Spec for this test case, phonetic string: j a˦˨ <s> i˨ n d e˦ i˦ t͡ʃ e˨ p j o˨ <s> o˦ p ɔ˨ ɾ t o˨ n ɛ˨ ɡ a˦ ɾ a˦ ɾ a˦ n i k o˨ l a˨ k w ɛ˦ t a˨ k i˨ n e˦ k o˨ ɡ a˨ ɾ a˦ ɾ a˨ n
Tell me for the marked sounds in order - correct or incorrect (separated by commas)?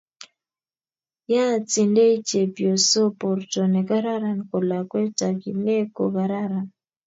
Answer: incorrect, correct